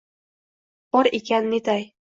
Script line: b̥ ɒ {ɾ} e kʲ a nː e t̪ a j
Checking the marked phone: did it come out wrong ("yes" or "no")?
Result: no